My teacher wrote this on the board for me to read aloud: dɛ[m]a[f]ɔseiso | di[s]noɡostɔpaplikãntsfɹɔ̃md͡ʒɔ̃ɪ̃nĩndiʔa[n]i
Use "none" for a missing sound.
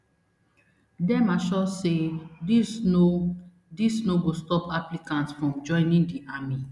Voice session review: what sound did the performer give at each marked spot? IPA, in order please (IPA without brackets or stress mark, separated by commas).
m, ʃ, s, m